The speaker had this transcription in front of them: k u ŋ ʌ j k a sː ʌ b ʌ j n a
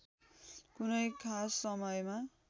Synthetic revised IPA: k u n ʌ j kʰ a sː ʌ m ʌ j m a